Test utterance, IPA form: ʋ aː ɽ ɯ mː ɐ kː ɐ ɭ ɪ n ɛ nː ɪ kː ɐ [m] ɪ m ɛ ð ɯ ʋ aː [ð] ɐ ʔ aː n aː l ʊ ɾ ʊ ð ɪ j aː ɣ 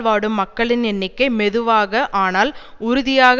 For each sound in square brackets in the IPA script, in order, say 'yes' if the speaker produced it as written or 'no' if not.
no, no

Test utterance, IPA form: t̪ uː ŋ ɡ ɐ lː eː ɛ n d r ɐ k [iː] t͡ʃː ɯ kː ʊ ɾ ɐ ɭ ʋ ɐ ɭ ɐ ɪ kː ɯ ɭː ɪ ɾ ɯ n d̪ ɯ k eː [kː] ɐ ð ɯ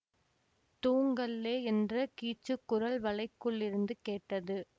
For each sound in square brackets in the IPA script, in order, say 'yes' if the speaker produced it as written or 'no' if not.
yes, no

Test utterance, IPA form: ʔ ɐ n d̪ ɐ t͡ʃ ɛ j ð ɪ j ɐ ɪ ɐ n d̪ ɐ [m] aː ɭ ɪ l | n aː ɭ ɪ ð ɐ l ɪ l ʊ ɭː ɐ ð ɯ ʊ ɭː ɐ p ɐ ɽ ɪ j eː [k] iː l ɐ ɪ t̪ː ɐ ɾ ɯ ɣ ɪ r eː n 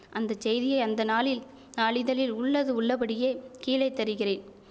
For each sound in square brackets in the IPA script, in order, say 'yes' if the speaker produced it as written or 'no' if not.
no, yes

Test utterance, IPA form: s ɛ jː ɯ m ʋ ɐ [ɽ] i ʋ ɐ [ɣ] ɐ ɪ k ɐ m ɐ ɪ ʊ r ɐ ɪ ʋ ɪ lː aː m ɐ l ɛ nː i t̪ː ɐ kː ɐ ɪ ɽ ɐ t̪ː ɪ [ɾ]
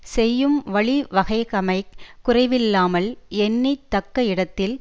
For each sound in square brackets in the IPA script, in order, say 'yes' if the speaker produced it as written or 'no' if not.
no, yes, no

